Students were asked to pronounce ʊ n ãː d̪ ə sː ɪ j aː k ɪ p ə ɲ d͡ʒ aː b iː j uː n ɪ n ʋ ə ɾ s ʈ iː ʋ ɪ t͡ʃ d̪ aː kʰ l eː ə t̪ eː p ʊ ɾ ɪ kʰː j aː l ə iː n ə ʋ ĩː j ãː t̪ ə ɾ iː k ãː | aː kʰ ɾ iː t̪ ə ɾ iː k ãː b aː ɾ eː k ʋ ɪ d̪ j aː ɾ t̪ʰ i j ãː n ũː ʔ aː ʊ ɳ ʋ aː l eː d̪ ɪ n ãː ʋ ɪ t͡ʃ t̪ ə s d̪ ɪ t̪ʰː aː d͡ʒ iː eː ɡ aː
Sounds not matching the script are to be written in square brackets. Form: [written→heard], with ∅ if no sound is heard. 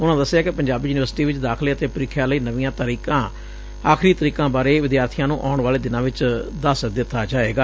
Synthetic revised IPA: ʊ n ãː d̪ ə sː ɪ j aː k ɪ p ə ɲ d͡ʒ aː b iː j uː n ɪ [n→∅] ʋ ə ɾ s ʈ iː ʋ ɪ t͡ʃ d̪ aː kʰ l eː ə t̪ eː p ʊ ɾ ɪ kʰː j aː l ə iː n ə ʋ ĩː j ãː t̪ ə ɾ iː k ãː | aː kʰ ɾ iː t̪ ə ɾ iː k ãː b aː ɾ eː [k→∅] ʋ ɪ d̪ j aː ɾ t̪ʰ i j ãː n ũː ʔ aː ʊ ɳ ʋ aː l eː d̪ ɪ n ãː ʋ ɪ t͡ʃ [t̪→d̪] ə s d̪ ɪ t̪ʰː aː d͡ʒ [iː→aː] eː ɡ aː